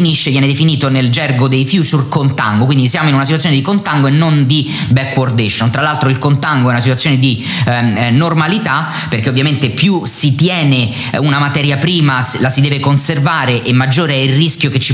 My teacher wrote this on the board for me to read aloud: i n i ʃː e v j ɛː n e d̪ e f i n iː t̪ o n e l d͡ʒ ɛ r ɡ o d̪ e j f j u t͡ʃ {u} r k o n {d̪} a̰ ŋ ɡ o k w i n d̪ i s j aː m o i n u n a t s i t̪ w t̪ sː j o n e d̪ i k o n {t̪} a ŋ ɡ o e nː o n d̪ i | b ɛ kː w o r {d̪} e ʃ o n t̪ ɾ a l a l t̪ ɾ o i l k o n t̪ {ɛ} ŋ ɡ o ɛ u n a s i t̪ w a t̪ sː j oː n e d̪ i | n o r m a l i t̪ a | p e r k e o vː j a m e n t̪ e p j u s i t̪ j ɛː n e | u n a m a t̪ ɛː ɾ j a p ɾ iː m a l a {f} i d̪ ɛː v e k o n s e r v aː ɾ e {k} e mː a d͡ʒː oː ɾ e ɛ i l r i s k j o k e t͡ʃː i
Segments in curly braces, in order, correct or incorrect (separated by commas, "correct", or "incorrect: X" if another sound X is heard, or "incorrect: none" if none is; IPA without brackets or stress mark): correct, incorrect: t̪, correct, correct, incorrect: a, incorrect: s, incorrect: ʔ